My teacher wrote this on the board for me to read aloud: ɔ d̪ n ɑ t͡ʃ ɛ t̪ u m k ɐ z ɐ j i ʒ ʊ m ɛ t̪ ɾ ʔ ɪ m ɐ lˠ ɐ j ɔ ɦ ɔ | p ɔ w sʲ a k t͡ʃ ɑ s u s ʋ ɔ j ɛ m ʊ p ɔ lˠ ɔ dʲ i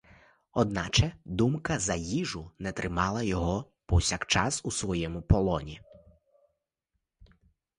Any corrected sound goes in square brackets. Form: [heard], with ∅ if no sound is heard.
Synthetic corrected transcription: ɔ d̪ n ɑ t͡ʃ ɛ [d̪] u m k ɐ z ɐ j i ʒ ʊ [n] ɛ t̪ ɾ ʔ ɪ m [ɑ] lˠ ɐ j ɔ ɦ ɔ | p ɔ w sʲ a k t͡ʃ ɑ s u s ʋ ɔ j ɛ m ʊ p ɔ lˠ ɔ [nʲ] i

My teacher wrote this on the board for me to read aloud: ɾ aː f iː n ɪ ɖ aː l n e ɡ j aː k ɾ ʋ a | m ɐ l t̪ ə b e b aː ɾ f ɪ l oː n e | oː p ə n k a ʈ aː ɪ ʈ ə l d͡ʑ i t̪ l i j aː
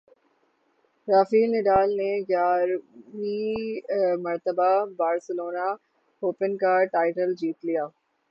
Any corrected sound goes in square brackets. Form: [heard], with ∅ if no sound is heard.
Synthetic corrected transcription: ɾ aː f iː n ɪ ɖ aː l n e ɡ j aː [∅] ɾ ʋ [i] | m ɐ [ɾ] t̪ ə b [a] b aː ɾ [s] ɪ l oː n [a] | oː p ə n k a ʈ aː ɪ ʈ ə l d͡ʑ [iː] t̪ l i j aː

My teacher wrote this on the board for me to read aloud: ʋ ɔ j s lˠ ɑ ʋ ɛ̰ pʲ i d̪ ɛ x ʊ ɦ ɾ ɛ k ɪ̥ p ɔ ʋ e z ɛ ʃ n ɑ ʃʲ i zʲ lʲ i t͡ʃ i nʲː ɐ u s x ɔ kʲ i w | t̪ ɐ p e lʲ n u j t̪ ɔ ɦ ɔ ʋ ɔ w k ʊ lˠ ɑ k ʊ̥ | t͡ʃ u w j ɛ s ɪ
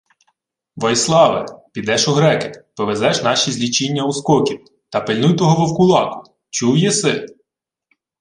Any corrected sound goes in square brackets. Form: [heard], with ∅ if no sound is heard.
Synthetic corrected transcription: ʋ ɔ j s lˠ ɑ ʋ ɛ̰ pʲ i d̪ ɛ [ʃ] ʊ ɦ ɾ ɛ k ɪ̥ p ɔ ʋ e z ɛ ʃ n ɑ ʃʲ i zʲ lʲ i t͡ʃ i nʲː ɐ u s [k] ɔ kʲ i w | t̪ ɐ p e lʲ n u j t̪ ɔ ɦ ɔ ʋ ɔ w k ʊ lˠ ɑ k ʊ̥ | t͡ʃ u w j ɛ s ɪ

